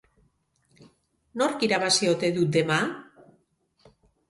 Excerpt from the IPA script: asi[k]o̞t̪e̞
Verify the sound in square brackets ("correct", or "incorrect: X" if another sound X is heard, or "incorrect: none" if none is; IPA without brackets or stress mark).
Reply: incorrect: none